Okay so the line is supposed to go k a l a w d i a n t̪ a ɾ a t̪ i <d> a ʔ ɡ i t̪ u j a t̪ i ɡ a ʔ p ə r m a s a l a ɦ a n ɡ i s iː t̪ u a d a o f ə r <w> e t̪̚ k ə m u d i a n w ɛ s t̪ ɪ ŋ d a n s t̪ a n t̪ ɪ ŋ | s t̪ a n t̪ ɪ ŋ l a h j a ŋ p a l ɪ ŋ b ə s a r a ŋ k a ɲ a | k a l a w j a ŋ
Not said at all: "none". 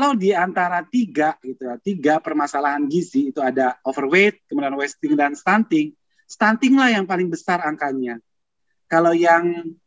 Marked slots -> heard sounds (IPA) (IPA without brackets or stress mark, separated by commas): ɡ, w